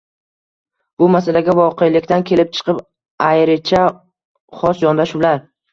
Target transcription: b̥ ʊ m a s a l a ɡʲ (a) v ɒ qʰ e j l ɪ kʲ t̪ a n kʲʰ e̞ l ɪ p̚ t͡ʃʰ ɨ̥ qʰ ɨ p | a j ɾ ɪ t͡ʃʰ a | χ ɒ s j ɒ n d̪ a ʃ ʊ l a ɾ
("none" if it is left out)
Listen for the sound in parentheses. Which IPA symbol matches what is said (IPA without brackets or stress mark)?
a